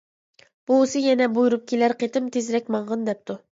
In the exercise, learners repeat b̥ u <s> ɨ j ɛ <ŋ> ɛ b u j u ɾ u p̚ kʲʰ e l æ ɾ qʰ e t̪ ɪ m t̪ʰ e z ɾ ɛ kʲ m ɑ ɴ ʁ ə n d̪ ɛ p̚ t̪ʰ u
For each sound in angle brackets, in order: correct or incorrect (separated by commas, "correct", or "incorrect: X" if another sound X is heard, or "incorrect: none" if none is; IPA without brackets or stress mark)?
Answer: correct, incorrect: n